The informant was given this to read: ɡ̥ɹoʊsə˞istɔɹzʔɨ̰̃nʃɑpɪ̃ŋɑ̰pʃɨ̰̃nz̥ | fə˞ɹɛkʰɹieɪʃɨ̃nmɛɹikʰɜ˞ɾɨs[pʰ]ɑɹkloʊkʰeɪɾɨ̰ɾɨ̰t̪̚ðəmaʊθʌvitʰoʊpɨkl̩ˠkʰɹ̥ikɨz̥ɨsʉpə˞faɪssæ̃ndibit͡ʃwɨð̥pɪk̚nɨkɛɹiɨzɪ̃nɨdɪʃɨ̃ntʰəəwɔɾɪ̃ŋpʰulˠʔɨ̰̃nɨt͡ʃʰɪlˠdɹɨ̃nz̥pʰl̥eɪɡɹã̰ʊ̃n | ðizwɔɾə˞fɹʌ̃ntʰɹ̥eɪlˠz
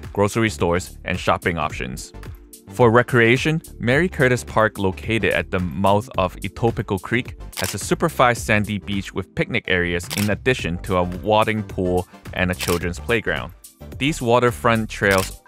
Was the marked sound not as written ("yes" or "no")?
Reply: no